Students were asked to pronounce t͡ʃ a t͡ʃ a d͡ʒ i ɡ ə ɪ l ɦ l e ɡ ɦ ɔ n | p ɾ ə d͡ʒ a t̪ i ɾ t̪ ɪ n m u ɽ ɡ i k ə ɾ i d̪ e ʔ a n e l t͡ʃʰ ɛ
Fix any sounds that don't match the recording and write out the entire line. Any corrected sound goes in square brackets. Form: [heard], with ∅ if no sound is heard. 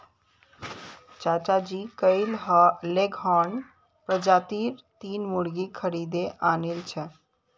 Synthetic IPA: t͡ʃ a t͡ʃ a d͡ʒ i [k] ə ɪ l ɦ l e ɡ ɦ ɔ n | p ɾ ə d͡ʒ a t̪ i ɾ t̪ [i] n m u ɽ ɡ i [kʰ] ə ɾ i d̪ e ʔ a n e l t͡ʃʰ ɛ